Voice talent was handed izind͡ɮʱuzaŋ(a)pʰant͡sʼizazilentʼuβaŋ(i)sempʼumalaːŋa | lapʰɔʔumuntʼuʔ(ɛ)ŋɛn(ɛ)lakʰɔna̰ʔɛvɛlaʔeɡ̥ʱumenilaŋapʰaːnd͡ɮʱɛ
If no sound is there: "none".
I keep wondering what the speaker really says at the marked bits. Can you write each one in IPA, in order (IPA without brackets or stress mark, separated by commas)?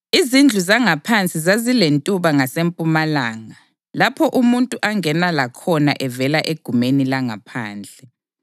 a, a, a, a